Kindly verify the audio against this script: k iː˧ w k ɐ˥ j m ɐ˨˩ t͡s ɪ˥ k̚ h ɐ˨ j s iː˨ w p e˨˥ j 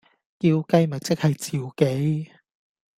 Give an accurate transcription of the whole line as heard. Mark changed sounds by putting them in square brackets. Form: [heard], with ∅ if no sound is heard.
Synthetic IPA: k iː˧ w k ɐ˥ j m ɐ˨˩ t͡s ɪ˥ k̚ h ɐ˨ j [t͡s] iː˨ w [k] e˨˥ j